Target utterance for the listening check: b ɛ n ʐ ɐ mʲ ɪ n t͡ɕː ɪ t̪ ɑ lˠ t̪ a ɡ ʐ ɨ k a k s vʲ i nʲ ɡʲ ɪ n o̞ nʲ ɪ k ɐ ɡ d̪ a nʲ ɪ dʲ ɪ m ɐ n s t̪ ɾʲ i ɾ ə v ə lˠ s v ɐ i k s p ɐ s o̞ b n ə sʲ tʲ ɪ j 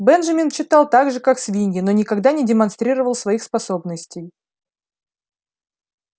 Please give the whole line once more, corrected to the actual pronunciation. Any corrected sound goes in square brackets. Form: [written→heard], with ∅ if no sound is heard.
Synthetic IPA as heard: b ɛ n ʐ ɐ mʲ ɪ n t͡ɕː ɪ t̪ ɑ lˠ t̪ a ɡ ʐ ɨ k a k s vʲ i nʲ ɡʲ ɪ n o̞ nʲ ɪ k ɐ ɡ d̪ a nʲ ɪ dʲ ɪ m ɐ n s t̪ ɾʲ i ɾ ə v ə lˠ s v ɐ i [k→x] s p ɐ s o̞ b n ə sʲ tʲ ɪ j